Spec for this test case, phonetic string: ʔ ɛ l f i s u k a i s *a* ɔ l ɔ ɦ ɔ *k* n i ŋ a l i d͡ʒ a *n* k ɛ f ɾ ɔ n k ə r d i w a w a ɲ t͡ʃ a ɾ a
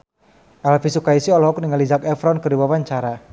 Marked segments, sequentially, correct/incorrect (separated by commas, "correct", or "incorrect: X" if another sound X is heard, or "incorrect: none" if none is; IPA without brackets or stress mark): incorrect: i, correct, incorrect: none